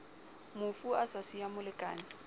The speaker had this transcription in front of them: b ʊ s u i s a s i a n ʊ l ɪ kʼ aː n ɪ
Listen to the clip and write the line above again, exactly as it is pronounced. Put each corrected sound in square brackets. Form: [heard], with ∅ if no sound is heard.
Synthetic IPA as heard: [m] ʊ [f] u [a] s a s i a [m] ʊ l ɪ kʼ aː n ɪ